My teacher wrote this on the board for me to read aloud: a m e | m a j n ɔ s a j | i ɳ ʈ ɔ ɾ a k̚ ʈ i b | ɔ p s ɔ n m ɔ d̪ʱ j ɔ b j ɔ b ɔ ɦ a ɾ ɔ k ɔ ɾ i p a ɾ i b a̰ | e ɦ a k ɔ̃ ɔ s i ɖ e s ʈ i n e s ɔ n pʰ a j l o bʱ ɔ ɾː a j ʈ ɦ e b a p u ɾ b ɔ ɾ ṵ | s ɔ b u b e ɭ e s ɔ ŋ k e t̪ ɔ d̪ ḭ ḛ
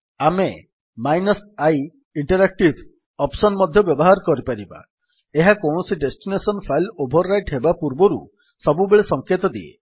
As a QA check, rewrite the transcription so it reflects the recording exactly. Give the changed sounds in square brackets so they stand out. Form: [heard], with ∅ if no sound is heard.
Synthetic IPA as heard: a m e | m a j n ɔ s a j | i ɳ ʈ ɔ ɾ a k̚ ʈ i b | ɔ p s ɔ n m ɔ d̪ʱ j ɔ b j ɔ b ɔ ɦ a ɾ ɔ k ɔ ɾ i p a ɾ i b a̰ | e ɦ a k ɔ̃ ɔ s i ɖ e s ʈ i n e s ɔ n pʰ a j l o bʱ ɔ ɾː a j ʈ ɦ e b a p u ɾ b ɔ ɾ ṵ | s ɔ b u b e ɭ e s ɔ ŋ k e t̪ ɔ d̪ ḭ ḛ